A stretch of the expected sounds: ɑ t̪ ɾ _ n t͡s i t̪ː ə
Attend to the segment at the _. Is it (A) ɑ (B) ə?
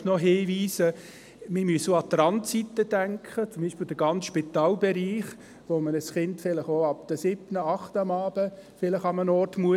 A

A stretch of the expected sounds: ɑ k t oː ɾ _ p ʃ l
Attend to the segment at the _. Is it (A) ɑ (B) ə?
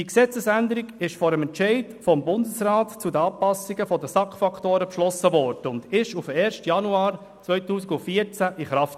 B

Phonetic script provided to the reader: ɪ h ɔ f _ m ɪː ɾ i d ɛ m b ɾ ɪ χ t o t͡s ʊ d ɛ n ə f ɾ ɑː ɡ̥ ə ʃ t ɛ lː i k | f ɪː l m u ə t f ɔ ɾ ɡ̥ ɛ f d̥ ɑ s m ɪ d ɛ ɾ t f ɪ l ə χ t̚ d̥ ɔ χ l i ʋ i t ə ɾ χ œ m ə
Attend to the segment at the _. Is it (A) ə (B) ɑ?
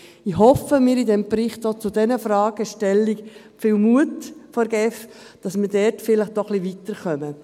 A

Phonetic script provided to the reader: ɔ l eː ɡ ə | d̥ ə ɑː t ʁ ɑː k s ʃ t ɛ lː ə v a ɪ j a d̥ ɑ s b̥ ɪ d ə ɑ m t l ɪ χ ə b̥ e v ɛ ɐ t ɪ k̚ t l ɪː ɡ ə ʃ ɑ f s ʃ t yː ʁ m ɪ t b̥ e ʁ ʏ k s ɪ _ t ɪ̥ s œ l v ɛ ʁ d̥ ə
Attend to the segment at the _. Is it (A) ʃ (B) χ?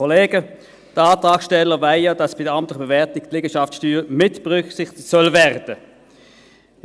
B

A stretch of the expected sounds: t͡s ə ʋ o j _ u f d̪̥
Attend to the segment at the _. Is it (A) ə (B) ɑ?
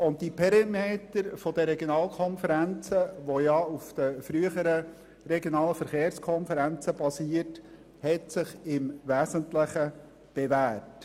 B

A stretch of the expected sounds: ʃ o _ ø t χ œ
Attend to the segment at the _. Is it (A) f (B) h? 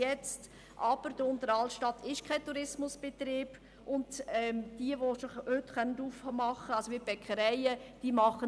B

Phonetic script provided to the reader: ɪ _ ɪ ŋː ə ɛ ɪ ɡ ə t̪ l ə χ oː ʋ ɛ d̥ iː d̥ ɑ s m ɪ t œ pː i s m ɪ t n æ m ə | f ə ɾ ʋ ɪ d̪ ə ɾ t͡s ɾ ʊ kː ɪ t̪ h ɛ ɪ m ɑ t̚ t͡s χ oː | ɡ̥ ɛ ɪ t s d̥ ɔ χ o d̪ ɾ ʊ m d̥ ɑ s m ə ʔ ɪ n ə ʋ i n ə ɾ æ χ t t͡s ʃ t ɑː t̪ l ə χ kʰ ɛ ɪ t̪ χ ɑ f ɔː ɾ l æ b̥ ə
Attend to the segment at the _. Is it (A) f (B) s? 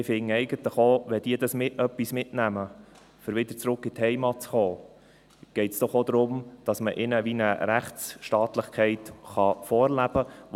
A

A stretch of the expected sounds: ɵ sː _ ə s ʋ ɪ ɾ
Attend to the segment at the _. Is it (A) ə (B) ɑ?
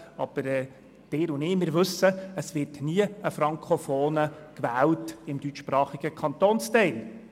A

